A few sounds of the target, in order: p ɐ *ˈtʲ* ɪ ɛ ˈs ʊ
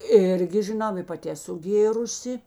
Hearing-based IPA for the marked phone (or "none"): tʲ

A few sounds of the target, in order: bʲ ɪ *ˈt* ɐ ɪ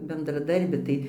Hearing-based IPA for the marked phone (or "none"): t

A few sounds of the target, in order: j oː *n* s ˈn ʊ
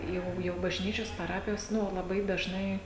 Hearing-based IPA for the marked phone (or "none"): none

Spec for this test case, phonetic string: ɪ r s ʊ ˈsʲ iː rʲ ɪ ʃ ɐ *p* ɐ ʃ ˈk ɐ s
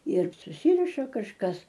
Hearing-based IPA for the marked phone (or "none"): k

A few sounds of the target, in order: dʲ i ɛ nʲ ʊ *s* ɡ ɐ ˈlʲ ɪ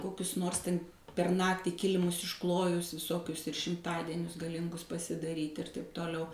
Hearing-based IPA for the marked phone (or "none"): s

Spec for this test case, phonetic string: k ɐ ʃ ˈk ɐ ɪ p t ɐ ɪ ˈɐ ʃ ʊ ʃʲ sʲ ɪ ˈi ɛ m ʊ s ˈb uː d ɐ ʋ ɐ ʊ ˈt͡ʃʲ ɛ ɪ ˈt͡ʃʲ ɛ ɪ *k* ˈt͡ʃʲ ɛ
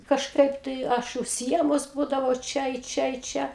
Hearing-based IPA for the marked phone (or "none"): none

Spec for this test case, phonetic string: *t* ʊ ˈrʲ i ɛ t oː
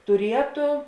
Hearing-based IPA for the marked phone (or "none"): t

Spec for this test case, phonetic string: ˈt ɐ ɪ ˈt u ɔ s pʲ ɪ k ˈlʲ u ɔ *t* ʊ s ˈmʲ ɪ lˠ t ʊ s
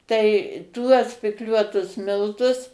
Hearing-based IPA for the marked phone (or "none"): t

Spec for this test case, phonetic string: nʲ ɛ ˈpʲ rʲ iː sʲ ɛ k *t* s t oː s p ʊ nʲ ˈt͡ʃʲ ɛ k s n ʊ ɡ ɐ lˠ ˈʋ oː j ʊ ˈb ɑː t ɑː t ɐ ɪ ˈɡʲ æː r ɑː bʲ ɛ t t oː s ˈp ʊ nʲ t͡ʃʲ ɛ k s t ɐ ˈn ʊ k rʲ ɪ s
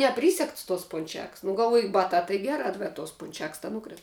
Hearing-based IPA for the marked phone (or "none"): t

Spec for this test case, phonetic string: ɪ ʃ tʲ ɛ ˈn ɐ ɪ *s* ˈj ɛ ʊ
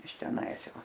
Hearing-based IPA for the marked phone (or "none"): s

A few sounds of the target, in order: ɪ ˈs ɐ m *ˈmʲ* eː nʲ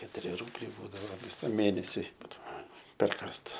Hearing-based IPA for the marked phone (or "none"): mʲ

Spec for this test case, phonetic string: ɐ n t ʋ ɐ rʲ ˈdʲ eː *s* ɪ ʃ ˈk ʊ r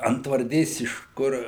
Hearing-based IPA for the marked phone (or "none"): s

